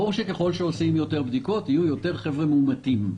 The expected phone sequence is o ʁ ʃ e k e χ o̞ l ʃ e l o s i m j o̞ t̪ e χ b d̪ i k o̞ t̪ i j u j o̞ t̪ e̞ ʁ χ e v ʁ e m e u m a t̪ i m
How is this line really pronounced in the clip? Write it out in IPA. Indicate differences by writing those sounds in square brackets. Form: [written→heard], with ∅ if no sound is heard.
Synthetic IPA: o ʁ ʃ e k e χ o̞ l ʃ e [l→∅] o s i m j o̞ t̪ e [χ→ʁ] b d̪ i k o̞ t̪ i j u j o̞ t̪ e̞ ʁ χ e v ʁ e m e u m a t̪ i m